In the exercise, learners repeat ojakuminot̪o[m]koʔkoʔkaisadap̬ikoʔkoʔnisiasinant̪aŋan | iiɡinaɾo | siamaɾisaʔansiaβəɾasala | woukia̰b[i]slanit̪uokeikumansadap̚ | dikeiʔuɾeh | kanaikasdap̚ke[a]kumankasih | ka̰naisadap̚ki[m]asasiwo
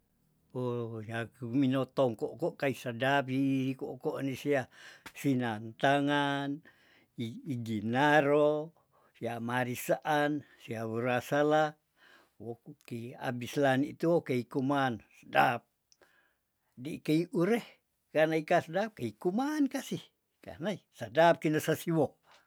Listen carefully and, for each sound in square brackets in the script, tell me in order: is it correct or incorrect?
incorrect, correct, incorrect, incorrect

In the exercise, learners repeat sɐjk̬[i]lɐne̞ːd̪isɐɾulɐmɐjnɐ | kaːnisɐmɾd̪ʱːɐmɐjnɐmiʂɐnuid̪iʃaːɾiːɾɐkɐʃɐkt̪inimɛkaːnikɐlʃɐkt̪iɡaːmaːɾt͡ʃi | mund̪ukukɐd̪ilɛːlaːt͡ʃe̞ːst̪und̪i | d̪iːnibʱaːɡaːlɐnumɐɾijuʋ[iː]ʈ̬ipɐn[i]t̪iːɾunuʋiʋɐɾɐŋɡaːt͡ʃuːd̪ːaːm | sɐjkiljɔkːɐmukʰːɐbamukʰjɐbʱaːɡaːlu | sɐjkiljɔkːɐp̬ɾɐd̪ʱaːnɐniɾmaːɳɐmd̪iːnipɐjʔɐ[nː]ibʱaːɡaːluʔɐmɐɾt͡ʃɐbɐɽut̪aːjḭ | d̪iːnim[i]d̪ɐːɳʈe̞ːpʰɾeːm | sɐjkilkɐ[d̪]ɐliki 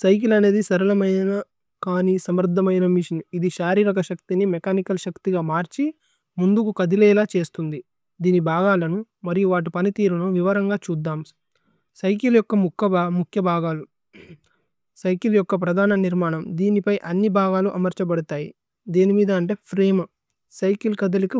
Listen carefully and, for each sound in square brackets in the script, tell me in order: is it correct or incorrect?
correct, incorrect, correct, correct, incorrect, correct

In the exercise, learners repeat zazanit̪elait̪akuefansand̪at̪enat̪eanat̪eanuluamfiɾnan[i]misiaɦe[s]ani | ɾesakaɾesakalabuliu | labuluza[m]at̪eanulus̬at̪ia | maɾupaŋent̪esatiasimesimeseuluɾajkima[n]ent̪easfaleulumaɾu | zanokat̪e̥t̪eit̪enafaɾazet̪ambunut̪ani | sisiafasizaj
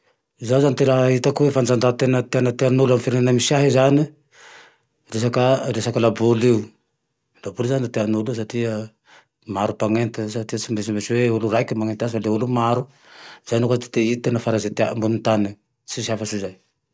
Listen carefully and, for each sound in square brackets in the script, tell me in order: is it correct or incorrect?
incorrect, incorrect, incorrect, incorrect

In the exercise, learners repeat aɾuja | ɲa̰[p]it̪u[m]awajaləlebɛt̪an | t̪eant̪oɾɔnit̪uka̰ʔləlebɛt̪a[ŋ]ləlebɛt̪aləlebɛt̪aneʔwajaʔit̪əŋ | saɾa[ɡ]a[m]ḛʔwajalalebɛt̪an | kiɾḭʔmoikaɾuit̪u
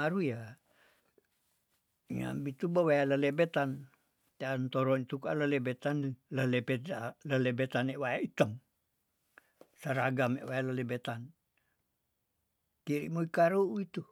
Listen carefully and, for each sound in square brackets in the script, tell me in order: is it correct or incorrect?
incorrect, incorrect, incorrect, correct, correct

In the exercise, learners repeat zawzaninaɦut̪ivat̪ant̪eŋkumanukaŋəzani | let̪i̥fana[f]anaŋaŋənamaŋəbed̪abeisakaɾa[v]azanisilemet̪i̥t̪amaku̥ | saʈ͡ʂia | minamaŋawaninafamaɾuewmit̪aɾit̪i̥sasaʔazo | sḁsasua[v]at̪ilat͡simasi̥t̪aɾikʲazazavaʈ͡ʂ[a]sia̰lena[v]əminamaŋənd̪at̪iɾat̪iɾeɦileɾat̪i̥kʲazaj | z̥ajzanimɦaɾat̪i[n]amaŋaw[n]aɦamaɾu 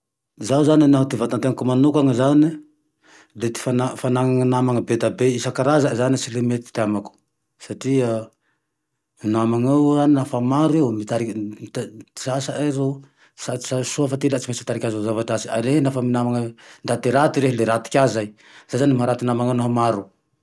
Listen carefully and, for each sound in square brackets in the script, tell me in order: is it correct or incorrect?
correct, incorrect, incorrect, correct, incorrect, correct, correct

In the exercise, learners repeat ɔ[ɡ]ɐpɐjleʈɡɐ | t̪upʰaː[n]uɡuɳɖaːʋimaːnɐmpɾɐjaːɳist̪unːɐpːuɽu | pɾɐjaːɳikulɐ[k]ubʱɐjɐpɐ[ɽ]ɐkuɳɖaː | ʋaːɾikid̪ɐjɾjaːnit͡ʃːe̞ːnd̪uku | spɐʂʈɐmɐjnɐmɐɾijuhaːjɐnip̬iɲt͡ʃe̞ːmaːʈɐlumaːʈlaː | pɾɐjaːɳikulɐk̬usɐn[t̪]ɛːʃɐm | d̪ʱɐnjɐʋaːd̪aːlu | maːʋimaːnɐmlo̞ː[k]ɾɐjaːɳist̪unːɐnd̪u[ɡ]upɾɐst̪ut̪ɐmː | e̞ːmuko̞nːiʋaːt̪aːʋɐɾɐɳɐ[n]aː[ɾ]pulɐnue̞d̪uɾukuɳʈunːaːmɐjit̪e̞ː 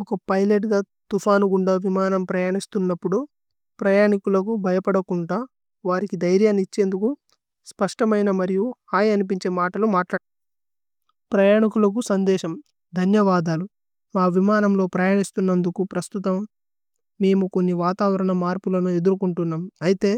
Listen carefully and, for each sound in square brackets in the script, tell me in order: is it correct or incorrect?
incorrect, correct, correct, correct, incorrect, incorrect, incorrect, incorrect, correct

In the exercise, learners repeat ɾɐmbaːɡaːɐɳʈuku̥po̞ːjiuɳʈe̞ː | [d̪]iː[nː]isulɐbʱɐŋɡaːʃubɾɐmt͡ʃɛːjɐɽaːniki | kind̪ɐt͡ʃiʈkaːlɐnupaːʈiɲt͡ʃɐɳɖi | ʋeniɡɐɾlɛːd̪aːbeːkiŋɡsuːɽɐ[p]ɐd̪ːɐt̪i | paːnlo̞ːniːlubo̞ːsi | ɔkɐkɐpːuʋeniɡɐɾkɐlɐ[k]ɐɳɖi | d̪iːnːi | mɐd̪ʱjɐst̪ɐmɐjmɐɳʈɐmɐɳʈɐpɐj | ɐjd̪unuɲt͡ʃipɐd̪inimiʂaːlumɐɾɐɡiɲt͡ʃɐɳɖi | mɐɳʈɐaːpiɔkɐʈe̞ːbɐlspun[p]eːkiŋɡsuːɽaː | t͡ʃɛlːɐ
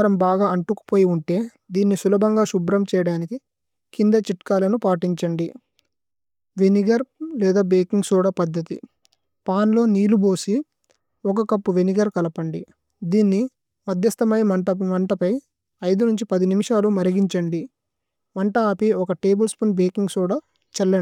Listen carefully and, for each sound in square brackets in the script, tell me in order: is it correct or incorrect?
correct, correct, correct, incorrect, incorrect

